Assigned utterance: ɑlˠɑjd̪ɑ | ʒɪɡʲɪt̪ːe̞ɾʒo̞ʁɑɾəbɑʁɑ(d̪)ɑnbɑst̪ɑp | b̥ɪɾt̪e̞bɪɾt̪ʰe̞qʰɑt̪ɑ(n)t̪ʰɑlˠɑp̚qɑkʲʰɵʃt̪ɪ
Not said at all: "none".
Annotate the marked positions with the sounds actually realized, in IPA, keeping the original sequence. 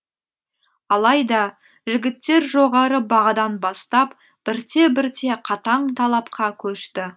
d̪, ɴ

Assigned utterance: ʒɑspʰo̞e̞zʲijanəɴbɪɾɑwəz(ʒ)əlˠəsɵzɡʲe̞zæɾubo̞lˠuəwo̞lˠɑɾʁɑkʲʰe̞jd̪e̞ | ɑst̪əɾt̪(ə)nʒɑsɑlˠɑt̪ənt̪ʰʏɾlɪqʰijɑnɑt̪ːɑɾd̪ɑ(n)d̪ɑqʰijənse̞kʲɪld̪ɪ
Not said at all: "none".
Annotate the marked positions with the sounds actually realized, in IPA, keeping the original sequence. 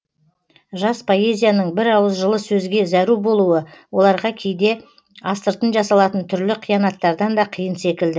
ʒ, ə, n

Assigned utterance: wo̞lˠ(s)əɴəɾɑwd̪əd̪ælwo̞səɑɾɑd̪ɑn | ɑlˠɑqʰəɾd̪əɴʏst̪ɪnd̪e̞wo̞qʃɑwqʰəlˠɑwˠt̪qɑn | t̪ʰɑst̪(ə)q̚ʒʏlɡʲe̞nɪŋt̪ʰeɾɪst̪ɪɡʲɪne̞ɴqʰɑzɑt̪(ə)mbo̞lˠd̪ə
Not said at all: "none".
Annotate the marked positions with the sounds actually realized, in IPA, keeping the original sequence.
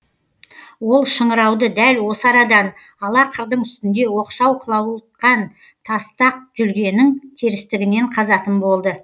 ʃ, ɑ, ə

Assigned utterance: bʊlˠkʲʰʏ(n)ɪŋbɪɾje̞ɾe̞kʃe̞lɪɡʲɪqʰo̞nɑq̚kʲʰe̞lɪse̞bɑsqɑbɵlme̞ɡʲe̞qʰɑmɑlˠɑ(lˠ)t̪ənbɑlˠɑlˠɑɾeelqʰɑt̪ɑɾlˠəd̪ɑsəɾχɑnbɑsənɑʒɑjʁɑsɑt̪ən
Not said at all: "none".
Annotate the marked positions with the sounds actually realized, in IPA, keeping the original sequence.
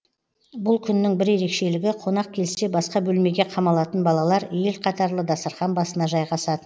nː, none

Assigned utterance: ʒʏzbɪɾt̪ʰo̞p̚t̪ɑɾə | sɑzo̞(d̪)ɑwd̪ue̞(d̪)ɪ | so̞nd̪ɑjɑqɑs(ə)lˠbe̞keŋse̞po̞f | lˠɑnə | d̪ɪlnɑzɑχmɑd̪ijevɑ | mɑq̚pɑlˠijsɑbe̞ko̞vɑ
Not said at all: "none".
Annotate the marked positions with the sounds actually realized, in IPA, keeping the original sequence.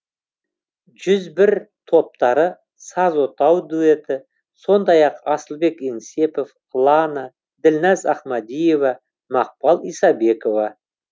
t̪, t̪, ə

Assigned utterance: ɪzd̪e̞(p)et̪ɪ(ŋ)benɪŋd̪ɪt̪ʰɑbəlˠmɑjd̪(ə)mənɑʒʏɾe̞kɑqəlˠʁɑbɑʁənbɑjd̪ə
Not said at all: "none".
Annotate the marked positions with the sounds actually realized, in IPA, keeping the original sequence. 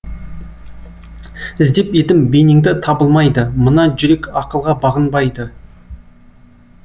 p, m, ə

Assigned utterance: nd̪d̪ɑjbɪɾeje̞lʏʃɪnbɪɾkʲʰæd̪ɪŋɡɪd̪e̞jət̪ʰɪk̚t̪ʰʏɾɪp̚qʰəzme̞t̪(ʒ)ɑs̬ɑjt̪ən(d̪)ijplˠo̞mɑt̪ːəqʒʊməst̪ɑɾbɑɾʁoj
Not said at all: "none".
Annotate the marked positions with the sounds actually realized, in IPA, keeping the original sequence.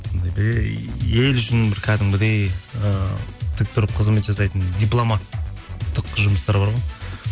ʒ, d̪

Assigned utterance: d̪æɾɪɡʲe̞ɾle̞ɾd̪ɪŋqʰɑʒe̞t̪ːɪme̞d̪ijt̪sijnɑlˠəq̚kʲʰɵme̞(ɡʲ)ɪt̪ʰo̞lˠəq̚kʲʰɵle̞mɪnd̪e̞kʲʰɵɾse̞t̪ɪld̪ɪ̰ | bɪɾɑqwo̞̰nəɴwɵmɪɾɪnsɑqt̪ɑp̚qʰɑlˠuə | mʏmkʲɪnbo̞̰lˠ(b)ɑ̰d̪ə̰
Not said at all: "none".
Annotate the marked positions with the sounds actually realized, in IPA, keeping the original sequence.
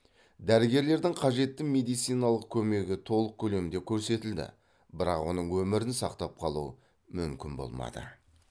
ɡʲ, m

